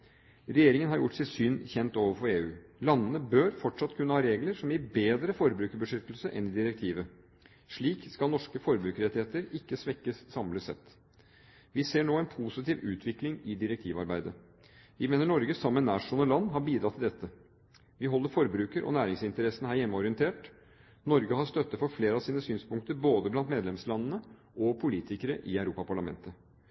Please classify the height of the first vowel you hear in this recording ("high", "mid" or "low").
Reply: mid